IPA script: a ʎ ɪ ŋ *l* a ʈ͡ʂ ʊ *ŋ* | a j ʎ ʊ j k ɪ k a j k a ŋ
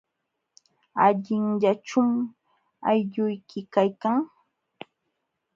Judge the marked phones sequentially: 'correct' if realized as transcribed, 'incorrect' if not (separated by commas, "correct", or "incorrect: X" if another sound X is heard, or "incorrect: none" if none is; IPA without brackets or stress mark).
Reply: incorrect: ʎ, incorrect: m